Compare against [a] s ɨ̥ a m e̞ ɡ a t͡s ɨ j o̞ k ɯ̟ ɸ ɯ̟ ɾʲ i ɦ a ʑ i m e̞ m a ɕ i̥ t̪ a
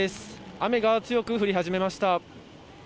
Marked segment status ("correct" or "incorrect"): incorrect